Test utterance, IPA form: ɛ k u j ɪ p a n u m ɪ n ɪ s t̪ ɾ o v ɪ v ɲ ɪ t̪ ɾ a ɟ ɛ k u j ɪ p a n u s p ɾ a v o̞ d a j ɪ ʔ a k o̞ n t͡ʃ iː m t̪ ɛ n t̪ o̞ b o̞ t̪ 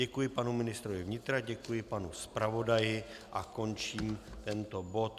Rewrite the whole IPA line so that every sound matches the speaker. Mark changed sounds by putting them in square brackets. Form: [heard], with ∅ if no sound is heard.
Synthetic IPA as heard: ɛ k u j ɪ p a n u m ɪ n ɪ s t̪ ɾ o v ɪ v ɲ ɪ t̪ ɾ a ɟ ɛ k u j ɪ p a n u s p ɾ a v o̞ d a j ɪ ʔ a k o̞ n t͡ʃ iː m t̪ ɛ n t̪ o̞ b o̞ t̪

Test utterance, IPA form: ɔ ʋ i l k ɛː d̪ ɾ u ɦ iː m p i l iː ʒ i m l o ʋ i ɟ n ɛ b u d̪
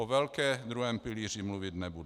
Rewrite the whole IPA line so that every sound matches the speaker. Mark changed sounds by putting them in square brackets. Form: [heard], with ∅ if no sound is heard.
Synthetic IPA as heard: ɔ ʋ [ɛ] l k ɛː d̪ ɾ u ɦ [ɛː] m p i l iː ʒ i m l [u] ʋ i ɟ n ɛ b u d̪

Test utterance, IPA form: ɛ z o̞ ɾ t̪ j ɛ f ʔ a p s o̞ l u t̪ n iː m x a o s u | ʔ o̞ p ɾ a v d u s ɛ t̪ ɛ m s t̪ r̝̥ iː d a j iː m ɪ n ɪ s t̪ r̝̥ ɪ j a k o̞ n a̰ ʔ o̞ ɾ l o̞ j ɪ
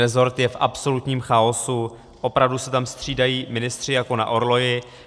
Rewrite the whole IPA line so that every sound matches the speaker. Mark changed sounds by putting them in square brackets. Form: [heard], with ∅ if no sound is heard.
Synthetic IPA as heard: ɛ z o̞ ɾ t̪ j ɛ f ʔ a p s o̞ l u t̪ [ɲ] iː m x a o s u | ʔ o̞ p ɾ a v d u s ɛ t̪ [a] m s t̪ r̝̥ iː d a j iː m ɪ n ɪ s t̪ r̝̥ ɪ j a k o̞ n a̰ ʔ o̞ ɾ l o̞ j ɪ

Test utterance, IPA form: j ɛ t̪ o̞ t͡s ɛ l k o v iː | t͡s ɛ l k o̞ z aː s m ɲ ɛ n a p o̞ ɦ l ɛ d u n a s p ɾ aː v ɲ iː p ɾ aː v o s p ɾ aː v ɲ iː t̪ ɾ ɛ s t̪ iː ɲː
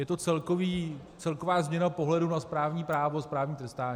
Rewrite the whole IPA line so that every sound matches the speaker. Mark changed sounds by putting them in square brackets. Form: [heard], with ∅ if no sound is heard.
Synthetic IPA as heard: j ɛ t̪ o̞ t͡s ɛ l k o v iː | t͡s ɛ l k o̞ [v] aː [z] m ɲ ɛ n a p o̞ ɦ l ɛ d u n a s p ɾ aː v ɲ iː p ɾ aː v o s p ɾ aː v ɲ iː t̪ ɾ ɛ s t̪ [aː] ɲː

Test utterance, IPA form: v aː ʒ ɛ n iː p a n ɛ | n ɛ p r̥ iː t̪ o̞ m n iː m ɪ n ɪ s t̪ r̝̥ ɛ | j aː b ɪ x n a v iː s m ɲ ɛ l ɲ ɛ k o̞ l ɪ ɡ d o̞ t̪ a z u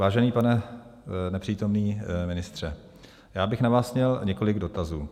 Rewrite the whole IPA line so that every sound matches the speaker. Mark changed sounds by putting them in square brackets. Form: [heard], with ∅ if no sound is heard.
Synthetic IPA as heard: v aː ʒ ɛ n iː p a n ɛ | n ɛ p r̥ iː t̪ o̞ m n iː m ɪ n ɪ s t̪ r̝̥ ɛ | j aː b ɪ x n a v [aː] s m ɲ ɛ l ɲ ɛ k o̞ l ɪ ɡ d o̞ t̪ a z [uː]

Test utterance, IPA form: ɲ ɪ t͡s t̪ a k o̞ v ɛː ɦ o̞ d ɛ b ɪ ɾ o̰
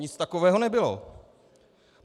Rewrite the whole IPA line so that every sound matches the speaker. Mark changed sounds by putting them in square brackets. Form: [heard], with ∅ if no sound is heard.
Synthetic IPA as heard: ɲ ɪ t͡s t̪ a k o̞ v ɛː ɦ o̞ [n] ɛ b ɪ [l] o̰

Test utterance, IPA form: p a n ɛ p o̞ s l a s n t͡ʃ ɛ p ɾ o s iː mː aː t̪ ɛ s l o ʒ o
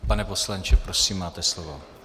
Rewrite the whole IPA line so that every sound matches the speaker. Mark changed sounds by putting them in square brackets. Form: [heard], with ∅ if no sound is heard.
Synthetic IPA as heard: p a n ɛ p o̞ s l a [∅] n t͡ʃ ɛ p ɾ o s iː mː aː t̪ ɛ s l o [v] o

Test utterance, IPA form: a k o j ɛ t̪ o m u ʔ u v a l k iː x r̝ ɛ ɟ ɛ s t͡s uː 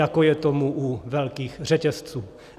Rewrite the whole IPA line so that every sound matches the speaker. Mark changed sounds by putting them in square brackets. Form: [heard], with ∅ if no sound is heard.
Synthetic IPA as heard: a k o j ɛ t̪ o m u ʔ u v [ɛ] l k iː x r̝ ɛ [c] ɛ s t͡s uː

